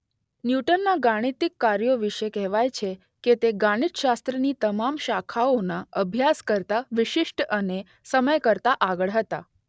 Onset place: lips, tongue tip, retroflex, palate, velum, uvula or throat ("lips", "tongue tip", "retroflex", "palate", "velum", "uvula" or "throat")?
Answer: tongue tip